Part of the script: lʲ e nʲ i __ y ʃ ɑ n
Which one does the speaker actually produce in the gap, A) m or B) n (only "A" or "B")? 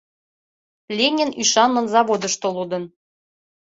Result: B